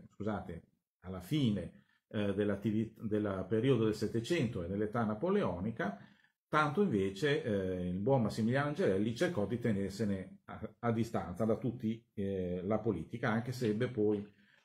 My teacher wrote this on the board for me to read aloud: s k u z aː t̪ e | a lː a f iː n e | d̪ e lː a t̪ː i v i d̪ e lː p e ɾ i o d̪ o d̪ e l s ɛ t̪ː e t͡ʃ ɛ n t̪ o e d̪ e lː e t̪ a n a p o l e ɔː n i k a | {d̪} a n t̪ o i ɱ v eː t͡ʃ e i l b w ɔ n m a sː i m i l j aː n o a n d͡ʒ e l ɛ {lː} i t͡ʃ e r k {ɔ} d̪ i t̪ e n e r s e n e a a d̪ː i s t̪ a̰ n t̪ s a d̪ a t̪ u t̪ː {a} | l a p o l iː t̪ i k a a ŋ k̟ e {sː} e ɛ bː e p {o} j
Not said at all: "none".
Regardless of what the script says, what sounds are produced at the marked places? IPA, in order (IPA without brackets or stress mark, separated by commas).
t̪, lː, ɔ, i, s, ɔ